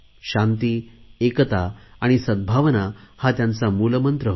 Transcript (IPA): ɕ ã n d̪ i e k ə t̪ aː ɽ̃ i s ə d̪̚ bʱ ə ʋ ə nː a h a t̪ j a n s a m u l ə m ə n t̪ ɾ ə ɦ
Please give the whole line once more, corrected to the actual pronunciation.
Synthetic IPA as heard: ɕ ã n t̪ i e k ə t̪ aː ɽ̃ i s ə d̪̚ bʱ a ʋ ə n a h a t̪ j a n t͡s a m u l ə m ə n t̪ ɾ ə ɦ